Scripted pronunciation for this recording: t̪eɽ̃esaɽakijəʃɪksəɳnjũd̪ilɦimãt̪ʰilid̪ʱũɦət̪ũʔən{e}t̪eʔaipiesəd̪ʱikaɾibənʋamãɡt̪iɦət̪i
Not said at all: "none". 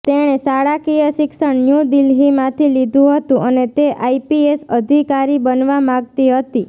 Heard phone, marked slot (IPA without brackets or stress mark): e